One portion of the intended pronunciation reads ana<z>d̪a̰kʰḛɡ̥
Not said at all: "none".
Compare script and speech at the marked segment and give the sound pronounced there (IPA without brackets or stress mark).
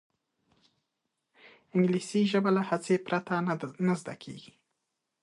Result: z